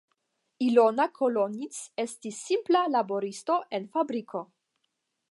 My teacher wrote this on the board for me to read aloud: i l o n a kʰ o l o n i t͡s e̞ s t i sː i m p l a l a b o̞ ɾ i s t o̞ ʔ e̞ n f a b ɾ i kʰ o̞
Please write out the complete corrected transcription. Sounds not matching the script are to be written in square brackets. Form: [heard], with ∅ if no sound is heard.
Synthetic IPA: i l o n a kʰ o l o n i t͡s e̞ s t i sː i m p l a l a b o̞ ɾ i s t o̞ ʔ e̞ n f a b ɾ i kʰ o̞